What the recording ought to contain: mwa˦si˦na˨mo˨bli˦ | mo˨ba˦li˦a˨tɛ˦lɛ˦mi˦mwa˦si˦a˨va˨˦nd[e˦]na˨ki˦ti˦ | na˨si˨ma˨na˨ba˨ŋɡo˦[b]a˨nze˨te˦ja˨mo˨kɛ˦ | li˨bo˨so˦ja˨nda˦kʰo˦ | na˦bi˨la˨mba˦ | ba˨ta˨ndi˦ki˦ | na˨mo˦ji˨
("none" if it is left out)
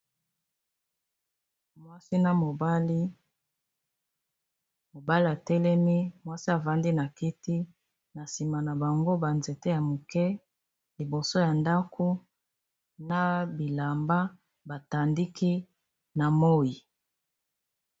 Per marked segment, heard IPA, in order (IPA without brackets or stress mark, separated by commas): i˦, b